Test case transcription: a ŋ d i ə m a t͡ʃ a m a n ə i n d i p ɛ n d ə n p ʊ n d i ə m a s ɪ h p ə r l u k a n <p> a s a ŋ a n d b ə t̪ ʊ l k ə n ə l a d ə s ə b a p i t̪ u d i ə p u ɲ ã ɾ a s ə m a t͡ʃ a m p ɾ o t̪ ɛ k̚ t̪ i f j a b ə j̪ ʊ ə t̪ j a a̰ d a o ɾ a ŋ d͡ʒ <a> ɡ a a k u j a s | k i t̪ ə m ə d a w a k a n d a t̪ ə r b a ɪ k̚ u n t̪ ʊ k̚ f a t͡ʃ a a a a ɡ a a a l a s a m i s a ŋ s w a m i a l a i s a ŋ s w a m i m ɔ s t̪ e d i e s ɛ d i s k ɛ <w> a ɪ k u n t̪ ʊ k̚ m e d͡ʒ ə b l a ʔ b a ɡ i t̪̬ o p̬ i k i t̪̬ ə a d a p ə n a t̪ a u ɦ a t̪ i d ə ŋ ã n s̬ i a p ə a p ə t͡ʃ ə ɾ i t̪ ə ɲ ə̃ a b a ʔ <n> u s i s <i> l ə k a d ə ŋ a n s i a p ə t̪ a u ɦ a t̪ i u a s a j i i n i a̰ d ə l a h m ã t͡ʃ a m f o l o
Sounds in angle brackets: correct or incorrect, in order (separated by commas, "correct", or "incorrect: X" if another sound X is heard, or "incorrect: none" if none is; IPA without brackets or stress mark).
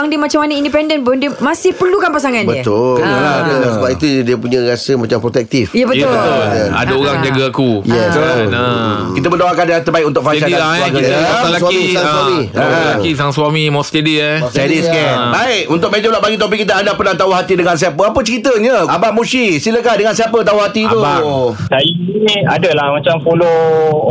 correct, correct, incorrect: b, incorrect: m, correct